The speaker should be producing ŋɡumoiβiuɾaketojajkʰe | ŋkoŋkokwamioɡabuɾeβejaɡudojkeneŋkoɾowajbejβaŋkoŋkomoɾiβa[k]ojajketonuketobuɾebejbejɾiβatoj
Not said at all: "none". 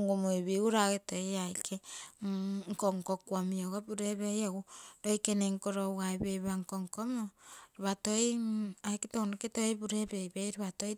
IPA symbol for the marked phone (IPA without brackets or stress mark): t